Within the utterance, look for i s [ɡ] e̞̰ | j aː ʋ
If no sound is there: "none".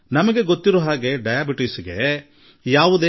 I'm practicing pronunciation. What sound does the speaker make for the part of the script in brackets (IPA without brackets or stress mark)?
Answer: ɡ